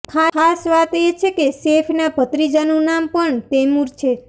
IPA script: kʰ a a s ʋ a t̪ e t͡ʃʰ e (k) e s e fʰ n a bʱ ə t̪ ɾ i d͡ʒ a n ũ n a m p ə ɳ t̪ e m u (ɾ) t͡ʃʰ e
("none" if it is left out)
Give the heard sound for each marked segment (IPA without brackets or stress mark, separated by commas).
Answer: k, ɾ